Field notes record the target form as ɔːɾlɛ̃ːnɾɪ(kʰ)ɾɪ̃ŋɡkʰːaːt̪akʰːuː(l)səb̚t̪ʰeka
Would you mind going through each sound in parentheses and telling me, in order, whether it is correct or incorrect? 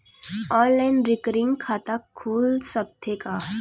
incorrect: k, correct

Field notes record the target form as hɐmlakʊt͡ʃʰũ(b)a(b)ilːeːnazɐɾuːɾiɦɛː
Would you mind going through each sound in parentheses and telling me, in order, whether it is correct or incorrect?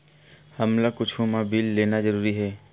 incorrect: m, correct

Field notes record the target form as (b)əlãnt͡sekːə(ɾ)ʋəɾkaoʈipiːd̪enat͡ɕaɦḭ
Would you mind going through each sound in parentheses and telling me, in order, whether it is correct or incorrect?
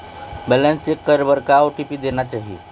correct, correct

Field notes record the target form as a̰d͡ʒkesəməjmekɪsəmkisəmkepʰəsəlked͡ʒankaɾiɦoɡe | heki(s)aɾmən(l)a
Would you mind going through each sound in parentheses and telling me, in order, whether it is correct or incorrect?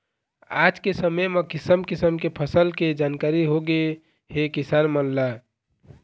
correct, correct

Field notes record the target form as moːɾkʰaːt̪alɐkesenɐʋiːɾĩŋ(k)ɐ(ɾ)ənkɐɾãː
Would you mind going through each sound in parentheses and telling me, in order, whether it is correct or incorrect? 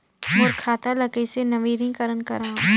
correct, correct

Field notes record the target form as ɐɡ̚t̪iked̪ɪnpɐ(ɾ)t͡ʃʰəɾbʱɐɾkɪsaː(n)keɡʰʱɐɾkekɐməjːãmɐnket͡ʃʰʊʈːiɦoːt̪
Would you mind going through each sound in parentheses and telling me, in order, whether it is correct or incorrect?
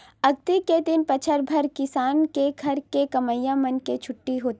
incorrect: none, correct

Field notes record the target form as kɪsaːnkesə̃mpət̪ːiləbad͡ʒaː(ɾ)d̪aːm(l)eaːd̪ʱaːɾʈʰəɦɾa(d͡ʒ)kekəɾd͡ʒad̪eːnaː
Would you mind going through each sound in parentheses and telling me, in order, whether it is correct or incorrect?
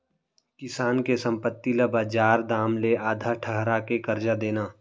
correct, correct, incorrect: none

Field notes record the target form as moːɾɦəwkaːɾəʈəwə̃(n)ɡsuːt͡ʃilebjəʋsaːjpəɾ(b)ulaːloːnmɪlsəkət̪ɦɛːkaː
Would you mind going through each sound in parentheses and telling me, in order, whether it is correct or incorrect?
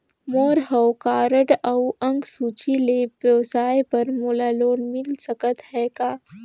incorrect: ŋ, incorrect: m

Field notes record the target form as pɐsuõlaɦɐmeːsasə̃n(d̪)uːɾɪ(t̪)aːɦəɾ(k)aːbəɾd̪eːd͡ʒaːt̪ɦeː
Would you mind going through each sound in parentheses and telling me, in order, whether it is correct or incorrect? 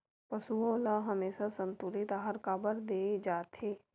incorrect: t̪, correct, correct

